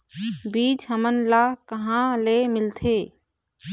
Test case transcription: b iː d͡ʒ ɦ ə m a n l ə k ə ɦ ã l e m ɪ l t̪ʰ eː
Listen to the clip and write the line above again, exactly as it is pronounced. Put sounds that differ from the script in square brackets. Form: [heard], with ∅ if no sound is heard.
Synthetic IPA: b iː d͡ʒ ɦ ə m [ə] n l [a] k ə ɦ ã l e m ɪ l t̪ʰ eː